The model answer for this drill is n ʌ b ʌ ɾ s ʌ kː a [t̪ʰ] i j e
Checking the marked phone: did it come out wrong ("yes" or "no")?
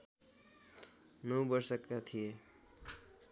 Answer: no